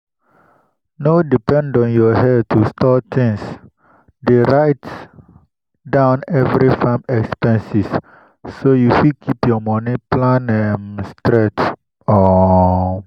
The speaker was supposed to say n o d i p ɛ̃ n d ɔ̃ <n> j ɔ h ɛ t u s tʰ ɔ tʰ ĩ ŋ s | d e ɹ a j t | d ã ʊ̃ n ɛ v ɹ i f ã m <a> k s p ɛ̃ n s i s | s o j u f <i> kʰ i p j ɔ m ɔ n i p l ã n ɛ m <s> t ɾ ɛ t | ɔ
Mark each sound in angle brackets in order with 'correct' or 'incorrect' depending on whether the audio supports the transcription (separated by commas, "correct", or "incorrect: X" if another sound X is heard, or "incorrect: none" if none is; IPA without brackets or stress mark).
correct, incorrect: ɛ, correct, correct